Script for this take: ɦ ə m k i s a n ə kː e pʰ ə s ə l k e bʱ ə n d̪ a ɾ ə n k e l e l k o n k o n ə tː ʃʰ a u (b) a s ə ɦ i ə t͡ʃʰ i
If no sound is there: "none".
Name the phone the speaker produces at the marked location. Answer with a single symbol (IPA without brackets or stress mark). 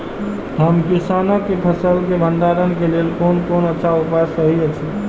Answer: p